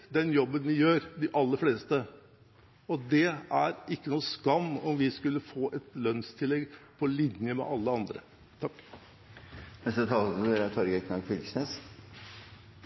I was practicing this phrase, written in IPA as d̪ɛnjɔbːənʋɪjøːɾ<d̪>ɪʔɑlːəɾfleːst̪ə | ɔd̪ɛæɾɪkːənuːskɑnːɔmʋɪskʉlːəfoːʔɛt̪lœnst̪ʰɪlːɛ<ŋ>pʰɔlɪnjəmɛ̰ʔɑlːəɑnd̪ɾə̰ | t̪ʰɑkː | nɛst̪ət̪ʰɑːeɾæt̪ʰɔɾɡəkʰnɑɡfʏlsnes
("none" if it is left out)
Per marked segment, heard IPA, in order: d̪, ɡ

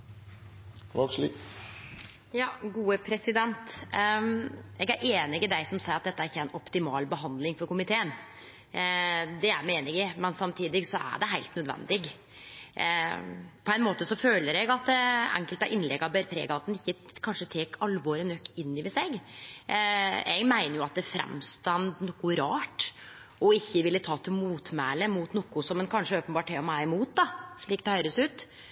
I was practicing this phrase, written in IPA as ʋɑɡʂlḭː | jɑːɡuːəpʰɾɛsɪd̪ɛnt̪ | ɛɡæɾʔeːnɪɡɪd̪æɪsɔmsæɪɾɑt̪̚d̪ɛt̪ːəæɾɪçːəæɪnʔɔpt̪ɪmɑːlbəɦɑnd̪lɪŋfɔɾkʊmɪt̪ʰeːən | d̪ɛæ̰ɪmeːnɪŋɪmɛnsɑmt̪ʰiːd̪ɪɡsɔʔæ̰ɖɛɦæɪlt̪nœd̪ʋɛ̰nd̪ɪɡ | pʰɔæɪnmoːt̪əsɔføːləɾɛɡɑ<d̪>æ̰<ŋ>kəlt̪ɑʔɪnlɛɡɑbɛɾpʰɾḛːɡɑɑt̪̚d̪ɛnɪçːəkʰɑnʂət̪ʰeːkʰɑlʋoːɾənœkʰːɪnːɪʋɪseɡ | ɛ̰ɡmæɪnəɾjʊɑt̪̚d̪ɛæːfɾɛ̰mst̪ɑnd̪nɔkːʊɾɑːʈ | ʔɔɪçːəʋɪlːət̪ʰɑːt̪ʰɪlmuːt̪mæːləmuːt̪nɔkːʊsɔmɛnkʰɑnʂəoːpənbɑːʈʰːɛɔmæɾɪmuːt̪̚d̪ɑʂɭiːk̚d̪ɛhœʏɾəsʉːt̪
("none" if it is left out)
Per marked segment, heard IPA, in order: t̪, ŋ

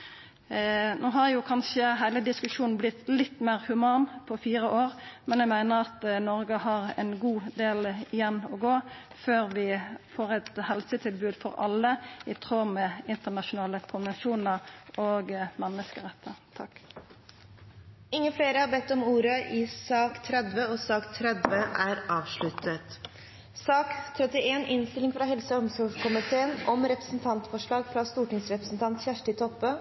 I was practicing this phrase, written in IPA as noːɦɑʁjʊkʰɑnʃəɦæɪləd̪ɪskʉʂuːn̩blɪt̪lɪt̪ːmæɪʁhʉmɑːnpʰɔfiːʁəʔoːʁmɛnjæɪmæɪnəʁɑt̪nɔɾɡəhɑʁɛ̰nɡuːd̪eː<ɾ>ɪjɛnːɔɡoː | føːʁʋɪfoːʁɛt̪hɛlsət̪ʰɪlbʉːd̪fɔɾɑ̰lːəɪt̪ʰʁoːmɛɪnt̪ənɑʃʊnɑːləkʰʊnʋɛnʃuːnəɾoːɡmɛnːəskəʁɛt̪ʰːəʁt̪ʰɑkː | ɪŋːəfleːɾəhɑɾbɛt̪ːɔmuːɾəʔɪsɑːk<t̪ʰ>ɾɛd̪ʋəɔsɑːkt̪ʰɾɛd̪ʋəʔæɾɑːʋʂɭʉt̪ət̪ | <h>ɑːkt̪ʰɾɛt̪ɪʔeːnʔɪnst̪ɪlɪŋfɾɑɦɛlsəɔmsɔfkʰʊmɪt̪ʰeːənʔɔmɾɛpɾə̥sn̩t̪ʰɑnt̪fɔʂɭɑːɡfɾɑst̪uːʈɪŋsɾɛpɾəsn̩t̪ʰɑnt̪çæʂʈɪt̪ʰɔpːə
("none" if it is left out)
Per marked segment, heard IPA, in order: l, t̪ʰ, s

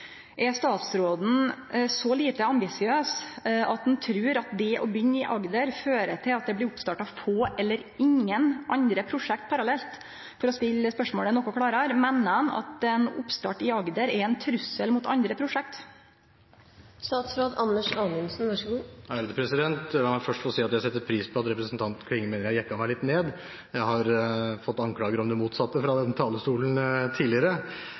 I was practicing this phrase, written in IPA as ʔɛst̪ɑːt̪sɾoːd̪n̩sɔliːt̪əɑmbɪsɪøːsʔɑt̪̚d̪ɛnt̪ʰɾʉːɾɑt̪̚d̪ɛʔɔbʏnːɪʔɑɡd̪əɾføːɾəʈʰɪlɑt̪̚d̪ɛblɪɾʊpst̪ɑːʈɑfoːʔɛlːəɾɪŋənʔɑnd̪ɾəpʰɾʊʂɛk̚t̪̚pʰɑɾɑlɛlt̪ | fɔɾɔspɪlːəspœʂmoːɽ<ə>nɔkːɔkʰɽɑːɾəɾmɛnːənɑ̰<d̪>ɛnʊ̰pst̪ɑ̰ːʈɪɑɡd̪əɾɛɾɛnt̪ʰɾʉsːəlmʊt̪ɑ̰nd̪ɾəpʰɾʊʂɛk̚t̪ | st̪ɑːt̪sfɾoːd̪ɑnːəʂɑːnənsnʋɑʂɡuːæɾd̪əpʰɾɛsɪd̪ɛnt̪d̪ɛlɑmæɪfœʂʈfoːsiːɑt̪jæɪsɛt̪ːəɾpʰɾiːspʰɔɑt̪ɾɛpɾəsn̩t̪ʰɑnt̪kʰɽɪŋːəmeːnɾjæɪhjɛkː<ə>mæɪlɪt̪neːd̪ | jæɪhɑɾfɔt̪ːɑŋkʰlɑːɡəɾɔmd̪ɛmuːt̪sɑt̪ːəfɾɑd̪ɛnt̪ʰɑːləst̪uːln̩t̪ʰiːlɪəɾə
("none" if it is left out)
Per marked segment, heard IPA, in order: ə, t̪, ɑ

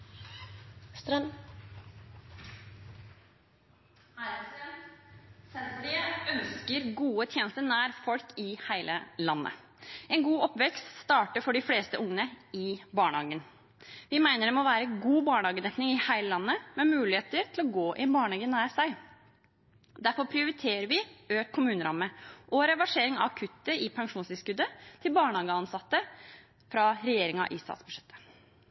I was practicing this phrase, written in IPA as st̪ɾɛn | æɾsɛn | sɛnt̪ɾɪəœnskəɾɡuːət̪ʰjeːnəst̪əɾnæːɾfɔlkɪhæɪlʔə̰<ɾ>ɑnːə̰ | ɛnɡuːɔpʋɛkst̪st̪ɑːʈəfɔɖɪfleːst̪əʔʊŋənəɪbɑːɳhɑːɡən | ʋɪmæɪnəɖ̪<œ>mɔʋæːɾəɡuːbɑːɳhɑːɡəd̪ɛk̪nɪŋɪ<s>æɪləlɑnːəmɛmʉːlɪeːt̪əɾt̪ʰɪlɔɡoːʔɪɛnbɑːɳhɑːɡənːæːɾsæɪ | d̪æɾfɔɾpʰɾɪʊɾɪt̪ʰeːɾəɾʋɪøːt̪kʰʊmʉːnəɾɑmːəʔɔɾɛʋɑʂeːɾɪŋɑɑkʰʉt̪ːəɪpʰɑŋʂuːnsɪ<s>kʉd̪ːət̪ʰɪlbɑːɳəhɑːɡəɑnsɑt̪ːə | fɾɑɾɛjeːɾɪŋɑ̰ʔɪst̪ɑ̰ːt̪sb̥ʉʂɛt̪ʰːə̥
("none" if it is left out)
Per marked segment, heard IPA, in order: l, ɛ, h, s

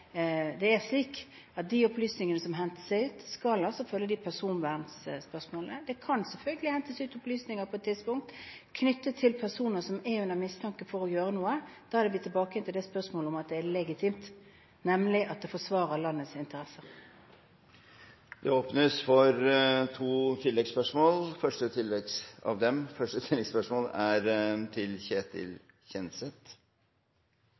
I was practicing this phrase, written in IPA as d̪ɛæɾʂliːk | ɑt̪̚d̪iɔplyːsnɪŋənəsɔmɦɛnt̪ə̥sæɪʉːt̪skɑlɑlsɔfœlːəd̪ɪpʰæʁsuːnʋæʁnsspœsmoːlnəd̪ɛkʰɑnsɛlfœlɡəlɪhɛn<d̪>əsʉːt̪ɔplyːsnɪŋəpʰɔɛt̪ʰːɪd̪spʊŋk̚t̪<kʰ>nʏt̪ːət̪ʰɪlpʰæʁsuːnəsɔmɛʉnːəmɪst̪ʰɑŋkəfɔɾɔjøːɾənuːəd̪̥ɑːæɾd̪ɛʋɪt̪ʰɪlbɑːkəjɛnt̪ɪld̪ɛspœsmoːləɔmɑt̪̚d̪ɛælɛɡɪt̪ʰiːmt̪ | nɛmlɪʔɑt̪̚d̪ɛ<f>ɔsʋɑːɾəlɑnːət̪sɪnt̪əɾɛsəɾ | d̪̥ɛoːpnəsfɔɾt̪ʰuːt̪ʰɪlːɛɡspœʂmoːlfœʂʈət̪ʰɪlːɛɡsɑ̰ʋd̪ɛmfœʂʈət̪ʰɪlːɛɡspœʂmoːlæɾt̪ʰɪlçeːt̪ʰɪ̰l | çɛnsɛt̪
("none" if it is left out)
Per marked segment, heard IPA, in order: t̪, kʰ, f

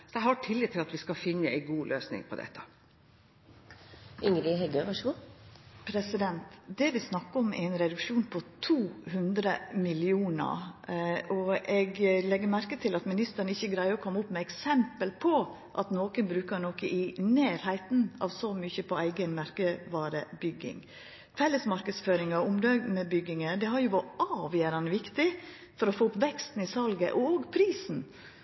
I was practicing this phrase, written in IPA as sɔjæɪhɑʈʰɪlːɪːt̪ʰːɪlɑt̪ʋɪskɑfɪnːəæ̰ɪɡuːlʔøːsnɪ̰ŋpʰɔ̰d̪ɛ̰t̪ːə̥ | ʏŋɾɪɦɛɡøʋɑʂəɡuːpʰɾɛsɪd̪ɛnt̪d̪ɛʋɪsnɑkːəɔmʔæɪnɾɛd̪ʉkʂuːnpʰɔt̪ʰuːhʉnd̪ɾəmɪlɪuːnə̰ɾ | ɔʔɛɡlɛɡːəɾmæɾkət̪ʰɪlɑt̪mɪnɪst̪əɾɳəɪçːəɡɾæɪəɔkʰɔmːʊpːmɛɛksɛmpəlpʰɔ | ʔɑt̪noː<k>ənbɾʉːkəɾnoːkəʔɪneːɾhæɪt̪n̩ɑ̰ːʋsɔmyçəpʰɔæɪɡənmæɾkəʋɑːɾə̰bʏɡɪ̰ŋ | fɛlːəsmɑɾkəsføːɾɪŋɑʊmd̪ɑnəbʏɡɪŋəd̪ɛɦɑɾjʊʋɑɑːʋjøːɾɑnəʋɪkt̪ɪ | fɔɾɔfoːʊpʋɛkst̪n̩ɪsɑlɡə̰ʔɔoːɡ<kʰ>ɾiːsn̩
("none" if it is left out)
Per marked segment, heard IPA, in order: k, pʰ

